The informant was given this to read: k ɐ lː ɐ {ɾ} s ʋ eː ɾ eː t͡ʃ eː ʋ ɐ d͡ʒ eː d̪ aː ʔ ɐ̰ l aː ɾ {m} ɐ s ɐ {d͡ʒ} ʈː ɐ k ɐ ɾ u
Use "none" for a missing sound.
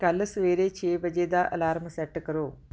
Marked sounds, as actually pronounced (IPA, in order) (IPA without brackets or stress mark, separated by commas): none, m, none